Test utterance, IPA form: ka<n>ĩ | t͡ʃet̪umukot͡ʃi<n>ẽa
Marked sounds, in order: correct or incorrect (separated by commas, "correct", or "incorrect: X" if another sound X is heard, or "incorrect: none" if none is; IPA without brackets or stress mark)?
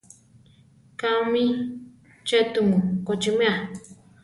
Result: incorrect: m, incorrect: m